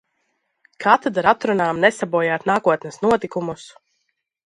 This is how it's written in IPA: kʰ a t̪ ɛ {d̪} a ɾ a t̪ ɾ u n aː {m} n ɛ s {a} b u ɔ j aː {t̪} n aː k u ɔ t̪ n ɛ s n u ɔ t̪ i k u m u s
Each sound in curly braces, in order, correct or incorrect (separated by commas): correct, correct, correct, correct